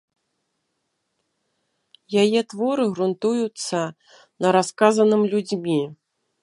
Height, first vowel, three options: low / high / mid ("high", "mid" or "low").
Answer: low